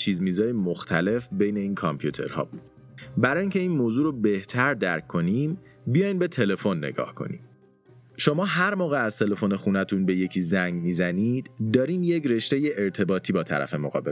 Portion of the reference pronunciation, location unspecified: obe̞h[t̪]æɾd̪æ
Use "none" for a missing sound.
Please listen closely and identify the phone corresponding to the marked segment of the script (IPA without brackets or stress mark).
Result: t̪ʰ